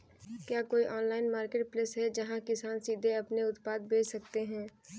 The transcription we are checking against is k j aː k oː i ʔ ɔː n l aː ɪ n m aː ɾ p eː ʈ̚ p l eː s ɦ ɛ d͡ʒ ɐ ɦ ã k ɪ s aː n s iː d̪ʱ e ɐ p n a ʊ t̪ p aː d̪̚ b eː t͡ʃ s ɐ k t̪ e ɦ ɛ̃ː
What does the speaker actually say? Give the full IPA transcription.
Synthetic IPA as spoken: k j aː k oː i ʔ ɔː n l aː ɪ n m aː ɾ k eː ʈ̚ p l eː s ɦ ɛ d͡ʒ ɐ ɦ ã k ɪ s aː n s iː d̪ʱ e ɐ p n e ʊ t̪ p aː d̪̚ b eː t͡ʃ s ɐ k t̪ e ɦ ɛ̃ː